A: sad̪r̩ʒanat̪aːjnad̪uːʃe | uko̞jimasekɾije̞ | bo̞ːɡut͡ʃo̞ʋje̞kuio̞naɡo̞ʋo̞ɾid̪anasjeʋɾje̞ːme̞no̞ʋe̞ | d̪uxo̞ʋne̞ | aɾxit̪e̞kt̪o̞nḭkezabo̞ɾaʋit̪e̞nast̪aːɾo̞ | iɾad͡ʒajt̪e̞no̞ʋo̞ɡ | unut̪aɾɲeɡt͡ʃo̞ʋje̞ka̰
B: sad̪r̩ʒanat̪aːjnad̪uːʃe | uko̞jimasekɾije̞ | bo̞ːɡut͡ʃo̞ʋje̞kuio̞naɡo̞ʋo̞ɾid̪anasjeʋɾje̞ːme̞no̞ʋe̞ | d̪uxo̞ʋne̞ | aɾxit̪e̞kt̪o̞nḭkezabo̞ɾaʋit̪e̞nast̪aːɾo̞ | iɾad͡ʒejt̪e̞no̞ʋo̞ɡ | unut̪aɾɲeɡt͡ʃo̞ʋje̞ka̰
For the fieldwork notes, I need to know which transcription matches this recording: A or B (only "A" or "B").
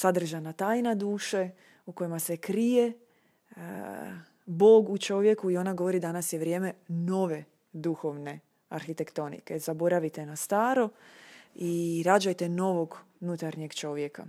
A